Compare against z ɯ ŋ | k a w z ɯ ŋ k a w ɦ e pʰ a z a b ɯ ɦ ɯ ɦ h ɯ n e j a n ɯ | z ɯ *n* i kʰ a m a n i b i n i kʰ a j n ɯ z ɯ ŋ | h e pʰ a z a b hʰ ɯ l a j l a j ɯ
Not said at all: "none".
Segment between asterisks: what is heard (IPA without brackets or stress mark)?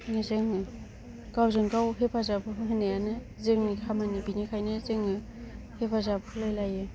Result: ŋ